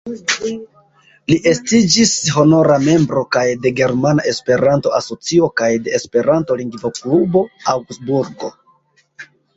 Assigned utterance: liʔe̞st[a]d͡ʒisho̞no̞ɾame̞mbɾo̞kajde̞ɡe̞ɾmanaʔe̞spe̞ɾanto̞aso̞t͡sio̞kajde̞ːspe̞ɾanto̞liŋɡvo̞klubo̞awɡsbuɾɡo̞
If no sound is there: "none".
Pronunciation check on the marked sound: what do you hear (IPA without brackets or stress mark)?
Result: i